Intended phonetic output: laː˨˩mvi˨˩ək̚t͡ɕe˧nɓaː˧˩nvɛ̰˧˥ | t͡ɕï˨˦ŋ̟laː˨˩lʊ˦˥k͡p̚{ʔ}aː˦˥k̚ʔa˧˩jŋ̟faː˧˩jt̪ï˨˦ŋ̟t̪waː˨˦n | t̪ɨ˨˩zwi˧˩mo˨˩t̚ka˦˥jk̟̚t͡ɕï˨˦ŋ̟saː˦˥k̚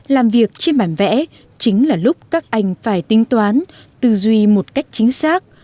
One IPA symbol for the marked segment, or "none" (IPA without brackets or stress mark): k